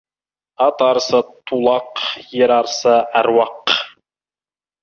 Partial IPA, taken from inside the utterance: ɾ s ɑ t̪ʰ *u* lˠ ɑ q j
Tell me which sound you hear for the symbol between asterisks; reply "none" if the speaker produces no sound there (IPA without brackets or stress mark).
u